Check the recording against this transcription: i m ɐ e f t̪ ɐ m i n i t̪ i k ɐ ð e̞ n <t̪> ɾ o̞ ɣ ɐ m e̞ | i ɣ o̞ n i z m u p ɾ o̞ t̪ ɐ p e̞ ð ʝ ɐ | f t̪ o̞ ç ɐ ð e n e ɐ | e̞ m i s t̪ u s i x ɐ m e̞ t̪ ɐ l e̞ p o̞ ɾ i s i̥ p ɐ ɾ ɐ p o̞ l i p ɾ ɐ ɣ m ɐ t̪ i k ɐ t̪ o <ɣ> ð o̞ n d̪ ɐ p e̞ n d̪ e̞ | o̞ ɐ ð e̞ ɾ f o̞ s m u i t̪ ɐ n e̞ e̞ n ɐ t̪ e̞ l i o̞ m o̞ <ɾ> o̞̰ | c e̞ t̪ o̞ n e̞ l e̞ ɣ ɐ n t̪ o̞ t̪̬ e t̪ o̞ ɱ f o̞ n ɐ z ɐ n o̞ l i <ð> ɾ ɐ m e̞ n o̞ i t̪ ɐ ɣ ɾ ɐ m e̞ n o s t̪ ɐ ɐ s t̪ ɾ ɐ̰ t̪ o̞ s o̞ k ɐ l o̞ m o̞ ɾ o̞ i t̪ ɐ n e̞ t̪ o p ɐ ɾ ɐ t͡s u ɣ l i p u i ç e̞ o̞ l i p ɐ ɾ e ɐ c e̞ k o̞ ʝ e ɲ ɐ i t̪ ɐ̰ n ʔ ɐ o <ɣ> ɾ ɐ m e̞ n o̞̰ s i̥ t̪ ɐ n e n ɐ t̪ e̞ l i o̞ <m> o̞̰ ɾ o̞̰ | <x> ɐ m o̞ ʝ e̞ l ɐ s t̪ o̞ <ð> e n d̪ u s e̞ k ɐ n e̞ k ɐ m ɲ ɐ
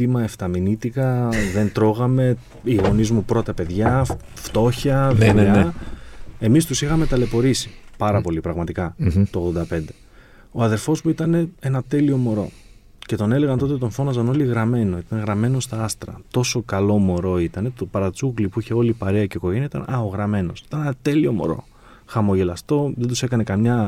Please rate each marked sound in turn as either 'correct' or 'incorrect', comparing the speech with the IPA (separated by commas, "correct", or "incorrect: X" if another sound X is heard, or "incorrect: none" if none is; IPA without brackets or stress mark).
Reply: correct, correct, correct, incorrect: ɣ, correct, correct, correct, correct